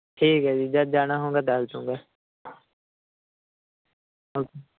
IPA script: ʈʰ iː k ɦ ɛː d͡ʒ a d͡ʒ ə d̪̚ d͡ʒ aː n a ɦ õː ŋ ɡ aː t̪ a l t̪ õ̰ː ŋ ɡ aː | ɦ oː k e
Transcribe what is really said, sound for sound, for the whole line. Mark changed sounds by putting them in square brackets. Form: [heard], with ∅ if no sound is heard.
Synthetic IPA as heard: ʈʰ iː k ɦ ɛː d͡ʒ [i] d͡ʒ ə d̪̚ d͡ʒ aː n a ɦ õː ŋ ɡ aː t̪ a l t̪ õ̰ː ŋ ɡ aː | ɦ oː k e